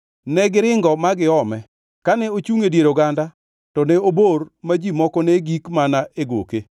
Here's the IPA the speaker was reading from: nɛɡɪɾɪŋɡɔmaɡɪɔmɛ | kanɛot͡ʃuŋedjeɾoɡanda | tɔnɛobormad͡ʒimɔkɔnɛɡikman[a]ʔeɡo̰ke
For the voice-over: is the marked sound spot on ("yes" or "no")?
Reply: yes